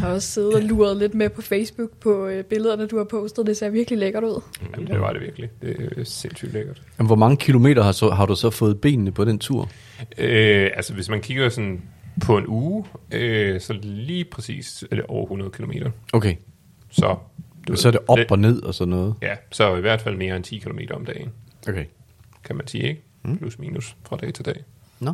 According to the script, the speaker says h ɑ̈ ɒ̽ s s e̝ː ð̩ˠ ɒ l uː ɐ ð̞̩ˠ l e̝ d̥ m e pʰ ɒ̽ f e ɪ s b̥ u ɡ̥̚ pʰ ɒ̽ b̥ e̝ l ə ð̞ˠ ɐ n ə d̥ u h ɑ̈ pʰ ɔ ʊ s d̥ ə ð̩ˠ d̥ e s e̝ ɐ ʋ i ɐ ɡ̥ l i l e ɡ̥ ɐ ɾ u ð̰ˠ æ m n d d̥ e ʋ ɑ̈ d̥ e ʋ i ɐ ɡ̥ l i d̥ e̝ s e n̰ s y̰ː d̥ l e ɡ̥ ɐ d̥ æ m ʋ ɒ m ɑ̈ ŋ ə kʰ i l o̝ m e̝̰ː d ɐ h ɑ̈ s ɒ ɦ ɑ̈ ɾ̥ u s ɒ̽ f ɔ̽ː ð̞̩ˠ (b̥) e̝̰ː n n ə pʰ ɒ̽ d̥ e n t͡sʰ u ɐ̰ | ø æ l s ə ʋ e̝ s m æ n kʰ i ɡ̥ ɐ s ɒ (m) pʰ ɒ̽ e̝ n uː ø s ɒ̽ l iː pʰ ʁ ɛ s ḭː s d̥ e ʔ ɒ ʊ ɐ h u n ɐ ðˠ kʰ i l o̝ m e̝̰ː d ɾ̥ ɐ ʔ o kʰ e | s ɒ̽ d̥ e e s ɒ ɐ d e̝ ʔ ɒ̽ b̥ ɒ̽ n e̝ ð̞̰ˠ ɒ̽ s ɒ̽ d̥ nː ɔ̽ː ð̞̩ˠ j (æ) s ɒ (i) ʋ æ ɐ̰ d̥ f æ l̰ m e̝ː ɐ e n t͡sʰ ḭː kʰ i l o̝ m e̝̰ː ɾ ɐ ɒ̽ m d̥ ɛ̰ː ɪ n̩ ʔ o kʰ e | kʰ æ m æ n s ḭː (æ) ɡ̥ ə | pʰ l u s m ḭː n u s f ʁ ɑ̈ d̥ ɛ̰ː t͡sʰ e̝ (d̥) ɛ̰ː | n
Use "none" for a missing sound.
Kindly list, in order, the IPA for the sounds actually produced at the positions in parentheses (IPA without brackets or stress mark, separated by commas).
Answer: b̥, n, æ, i, e, d̥